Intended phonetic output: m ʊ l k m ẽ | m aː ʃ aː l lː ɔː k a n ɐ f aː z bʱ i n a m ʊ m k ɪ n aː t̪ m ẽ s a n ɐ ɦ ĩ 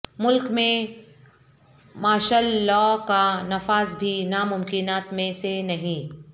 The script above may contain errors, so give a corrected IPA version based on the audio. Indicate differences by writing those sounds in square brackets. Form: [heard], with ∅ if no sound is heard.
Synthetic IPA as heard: m ʊ l k m ẽ | m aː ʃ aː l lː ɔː k a n ɐ f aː z bʱ i n a m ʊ m k ɪ n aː t̪ m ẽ s [e] n ɐ ɦ ĩ